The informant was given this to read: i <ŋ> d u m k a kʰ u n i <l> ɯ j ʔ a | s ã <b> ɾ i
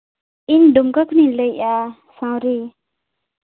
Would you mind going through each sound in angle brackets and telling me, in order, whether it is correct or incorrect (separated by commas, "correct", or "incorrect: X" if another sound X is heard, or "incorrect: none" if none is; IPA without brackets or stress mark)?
incorrect: n, correct, incorrect: w